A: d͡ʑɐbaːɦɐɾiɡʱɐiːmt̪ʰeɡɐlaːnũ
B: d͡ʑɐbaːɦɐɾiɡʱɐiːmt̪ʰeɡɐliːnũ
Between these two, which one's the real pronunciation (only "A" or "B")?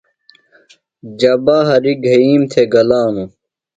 A